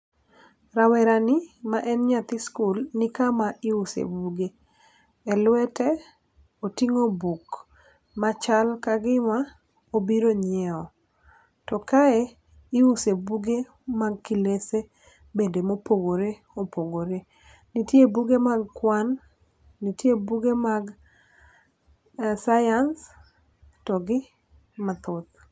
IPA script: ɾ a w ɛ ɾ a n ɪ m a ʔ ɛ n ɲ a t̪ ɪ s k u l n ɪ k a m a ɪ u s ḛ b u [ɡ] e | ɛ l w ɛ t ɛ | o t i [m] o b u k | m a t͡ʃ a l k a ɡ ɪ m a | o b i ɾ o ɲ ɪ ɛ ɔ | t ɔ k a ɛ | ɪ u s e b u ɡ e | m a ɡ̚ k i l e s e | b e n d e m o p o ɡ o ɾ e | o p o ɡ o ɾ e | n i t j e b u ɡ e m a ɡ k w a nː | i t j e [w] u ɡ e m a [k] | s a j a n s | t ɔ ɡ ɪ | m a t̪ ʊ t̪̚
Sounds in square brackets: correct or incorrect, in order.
correct, incorrect: ŋ, incorrect: b, incorrect: ɡ

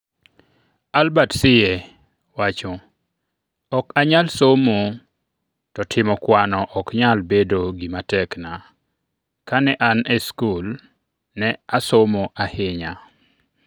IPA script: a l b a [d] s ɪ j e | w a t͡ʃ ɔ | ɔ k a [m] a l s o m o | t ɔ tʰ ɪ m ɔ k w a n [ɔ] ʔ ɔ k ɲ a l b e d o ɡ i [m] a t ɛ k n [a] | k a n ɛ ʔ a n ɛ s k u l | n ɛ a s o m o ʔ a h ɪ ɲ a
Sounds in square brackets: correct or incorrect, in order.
incorrect: t, incorrect: ɲ, correct, correct, correct

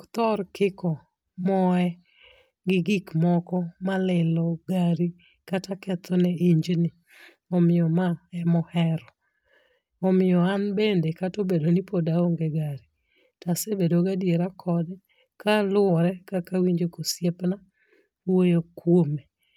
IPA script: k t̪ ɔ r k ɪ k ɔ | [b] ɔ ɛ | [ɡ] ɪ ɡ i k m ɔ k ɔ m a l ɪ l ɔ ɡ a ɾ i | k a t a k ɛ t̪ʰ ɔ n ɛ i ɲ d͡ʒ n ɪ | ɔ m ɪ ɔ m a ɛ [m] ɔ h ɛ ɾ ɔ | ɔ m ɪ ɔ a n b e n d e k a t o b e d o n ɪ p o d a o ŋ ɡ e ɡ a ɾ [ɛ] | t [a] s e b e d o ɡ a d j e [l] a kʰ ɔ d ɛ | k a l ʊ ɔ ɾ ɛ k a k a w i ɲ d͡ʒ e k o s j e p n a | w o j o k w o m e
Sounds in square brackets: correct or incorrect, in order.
incorrect: m, correct, correct, incorrect: i, correct, incorrect: ɾ

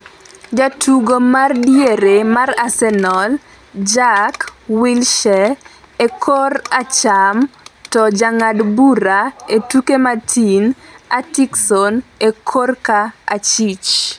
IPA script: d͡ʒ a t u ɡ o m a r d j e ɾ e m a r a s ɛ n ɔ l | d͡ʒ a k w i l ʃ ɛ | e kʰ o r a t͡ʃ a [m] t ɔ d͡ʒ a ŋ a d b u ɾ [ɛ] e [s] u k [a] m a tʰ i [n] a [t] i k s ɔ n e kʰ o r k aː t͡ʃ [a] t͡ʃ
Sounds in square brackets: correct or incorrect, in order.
correct, incorrect: a, incorrect: t, incorrect: e, correct, correct, incorrect: i

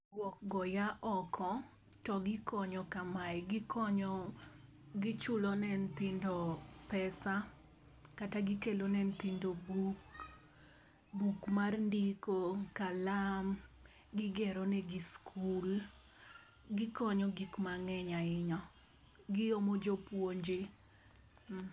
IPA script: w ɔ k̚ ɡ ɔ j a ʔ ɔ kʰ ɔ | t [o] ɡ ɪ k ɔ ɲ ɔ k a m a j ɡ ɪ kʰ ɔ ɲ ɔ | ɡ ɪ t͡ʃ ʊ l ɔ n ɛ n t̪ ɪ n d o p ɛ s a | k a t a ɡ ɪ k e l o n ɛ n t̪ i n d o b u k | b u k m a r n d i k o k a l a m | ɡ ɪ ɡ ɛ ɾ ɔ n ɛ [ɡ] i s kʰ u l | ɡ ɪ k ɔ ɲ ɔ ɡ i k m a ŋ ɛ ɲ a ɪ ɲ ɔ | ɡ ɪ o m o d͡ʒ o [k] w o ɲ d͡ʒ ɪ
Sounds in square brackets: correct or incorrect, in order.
incorrect: ɔ, correct, incorrect: p

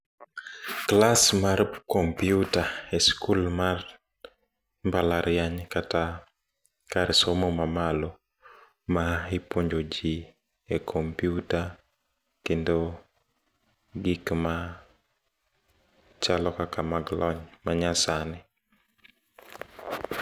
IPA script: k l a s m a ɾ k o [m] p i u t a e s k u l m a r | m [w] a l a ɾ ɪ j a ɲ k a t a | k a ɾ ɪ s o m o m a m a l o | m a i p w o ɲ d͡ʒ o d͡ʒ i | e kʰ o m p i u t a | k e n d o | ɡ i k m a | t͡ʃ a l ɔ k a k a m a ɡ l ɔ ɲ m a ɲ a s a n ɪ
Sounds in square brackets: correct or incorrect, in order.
correct, incorrect: b

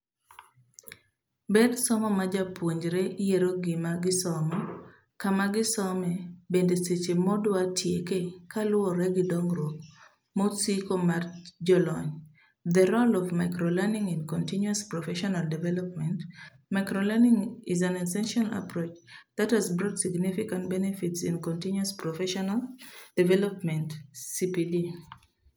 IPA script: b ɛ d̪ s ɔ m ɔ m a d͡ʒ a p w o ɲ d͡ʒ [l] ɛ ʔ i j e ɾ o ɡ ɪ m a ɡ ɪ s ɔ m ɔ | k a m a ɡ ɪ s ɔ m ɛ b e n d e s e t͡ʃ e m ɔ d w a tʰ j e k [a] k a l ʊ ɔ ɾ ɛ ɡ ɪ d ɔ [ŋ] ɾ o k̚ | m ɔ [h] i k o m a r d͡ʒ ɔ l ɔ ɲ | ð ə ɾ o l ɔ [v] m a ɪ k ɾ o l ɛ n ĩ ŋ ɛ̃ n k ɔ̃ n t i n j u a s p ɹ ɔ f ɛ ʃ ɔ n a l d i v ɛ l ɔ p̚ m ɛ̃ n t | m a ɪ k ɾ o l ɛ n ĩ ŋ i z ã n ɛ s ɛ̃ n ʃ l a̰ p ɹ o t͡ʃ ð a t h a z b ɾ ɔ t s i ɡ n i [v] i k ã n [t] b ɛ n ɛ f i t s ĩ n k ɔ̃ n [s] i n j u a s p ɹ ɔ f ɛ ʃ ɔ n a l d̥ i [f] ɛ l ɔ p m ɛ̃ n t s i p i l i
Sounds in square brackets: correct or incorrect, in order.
incorrect: ɾ, incorrect: e, correct, incorrect: s, correct, incorrect: f, correct, incorrect: t, incorrect: v

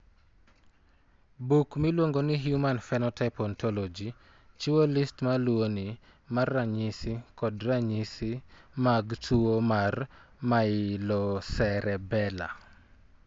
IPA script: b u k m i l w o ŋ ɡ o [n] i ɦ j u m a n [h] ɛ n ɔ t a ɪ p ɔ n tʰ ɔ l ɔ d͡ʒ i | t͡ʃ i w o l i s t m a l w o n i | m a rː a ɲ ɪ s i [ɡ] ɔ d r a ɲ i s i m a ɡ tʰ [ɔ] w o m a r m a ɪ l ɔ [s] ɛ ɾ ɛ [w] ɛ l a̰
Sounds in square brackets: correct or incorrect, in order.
correct, incorrect: f, incorrect: k, incorrect: u, correct, incorrect: b

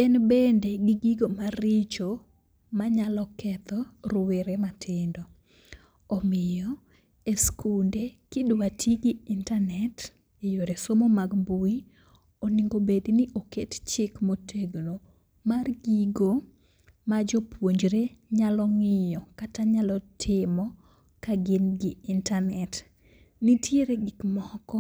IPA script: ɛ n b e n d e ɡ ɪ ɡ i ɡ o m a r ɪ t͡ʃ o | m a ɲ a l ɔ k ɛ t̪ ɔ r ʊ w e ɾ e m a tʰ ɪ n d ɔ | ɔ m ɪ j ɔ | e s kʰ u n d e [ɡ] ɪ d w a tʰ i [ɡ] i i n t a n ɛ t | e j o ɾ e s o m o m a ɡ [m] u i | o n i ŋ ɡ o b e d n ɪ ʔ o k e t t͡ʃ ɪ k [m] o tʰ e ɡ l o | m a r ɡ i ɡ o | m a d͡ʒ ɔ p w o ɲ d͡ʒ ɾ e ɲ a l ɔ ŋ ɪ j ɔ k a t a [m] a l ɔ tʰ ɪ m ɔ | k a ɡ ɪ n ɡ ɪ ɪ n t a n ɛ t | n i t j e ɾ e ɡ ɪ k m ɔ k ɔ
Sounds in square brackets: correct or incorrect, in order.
incorrect: k, correct, incorrect: b, correct, incorrect: ɲ

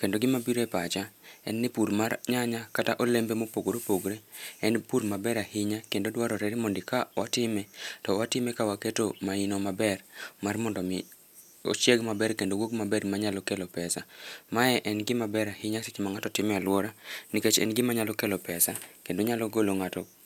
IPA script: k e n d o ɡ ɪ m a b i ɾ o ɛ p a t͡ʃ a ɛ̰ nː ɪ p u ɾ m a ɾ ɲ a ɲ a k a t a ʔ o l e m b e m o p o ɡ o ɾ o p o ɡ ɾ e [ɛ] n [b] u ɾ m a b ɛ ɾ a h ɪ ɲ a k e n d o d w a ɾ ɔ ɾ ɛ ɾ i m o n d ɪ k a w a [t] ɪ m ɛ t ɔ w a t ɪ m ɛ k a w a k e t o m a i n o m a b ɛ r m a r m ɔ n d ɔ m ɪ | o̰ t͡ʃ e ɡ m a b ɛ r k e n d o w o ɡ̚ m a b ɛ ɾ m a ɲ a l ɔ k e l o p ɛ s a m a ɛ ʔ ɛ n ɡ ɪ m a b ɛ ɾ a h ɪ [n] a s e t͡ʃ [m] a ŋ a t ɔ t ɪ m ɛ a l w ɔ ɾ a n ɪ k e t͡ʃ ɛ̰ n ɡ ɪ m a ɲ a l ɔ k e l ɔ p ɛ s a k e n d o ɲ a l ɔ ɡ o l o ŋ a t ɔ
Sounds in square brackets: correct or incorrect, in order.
correct, incorrect: p, correct, incorrect: ɲ, correct

